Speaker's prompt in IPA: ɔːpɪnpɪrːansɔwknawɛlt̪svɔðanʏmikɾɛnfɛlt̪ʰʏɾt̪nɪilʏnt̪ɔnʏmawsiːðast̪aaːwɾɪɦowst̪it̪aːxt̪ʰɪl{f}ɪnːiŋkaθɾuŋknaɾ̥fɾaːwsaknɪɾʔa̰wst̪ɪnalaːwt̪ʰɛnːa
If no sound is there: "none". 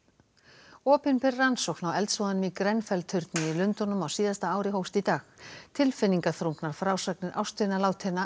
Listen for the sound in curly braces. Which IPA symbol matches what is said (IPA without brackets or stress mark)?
f